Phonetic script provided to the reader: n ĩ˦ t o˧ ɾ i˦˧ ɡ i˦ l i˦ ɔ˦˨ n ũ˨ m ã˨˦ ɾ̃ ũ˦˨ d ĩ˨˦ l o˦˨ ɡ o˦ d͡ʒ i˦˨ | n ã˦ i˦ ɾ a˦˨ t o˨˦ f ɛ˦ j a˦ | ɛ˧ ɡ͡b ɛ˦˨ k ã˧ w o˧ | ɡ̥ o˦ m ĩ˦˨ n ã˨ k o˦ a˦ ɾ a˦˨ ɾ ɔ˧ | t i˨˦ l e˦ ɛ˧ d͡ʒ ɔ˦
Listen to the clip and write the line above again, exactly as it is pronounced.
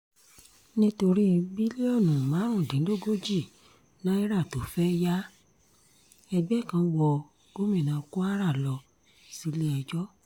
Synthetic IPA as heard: n ĩ˦ t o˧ ɾ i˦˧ b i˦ l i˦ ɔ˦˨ n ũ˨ m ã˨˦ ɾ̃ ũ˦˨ d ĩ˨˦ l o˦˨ ɡ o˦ d͡ʒ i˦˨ | n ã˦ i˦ ɾ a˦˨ t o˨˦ f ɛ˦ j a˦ | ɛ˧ ɡ͡b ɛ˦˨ k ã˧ w ɔ˧ | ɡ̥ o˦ m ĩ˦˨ n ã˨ k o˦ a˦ ɾ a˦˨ l ɔ˧ | s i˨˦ l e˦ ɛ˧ d͡ʒ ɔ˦